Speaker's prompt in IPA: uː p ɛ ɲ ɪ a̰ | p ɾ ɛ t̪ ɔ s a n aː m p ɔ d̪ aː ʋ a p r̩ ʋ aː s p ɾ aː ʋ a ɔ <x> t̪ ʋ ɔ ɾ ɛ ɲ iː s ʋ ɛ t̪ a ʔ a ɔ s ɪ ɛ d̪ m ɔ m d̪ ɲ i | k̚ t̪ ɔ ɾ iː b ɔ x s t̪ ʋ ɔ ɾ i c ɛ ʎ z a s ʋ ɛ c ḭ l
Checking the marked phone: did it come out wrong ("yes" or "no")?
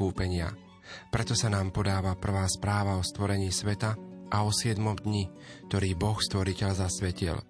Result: yes